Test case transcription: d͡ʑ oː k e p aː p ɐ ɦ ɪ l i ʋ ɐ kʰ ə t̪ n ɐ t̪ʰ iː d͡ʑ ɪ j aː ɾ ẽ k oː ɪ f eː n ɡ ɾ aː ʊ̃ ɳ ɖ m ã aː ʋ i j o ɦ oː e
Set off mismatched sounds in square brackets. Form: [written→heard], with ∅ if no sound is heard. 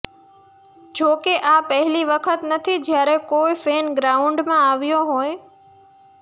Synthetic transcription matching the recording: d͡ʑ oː k e [p→ʔ] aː p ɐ ɦ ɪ l i ʋ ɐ kʰ ə t̪ n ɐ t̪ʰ [iː→i] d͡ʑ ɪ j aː ɾ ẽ k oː ɪ f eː n ɡ ɾ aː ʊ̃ ɳ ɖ m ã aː ʋ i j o ɦ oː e